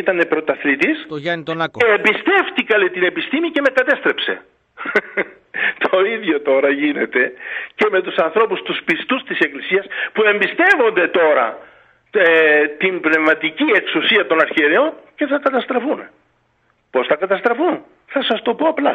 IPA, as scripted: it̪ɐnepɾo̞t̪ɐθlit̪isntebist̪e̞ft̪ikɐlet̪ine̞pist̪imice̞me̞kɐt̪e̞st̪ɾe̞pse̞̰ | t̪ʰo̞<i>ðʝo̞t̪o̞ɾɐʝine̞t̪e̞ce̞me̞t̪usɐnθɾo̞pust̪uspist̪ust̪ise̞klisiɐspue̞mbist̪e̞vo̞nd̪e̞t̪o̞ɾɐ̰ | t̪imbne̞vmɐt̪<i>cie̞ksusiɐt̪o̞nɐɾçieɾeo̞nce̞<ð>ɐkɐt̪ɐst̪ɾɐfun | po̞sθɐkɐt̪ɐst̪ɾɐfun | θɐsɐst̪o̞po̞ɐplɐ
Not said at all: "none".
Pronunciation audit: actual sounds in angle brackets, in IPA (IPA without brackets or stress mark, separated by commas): i, i, θ